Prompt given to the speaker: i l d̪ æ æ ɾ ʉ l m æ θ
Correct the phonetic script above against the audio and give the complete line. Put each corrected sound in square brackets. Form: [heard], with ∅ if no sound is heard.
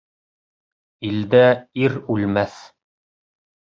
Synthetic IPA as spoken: i l d̪ æ [i] ɾ ʉ l m æ θ